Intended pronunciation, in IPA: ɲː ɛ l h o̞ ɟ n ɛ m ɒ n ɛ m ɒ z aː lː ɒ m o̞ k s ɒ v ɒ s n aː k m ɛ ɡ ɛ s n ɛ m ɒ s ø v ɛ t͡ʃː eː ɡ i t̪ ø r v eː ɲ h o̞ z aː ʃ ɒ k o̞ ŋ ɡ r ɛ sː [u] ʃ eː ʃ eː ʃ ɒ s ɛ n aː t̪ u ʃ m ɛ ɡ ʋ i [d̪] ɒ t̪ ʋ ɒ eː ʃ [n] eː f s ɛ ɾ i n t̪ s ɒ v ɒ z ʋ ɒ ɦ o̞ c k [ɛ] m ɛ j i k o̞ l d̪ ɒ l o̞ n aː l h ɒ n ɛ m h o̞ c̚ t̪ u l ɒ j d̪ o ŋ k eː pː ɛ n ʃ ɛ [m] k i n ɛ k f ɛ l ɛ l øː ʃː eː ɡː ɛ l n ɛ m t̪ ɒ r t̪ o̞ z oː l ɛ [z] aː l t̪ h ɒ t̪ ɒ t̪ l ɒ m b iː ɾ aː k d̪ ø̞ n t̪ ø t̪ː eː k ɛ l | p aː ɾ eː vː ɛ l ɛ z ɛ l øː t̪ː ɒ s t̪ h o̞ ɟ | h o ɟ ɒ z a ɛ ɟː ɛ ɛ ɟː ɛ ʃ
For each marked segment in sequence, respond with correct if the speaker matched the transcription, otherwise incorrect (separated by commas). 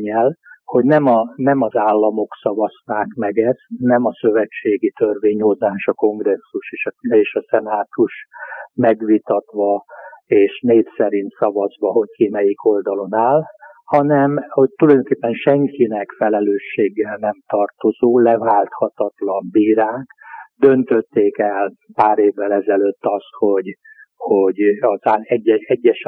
correct, incorrect, correct, incorrect, incorrect, incorrect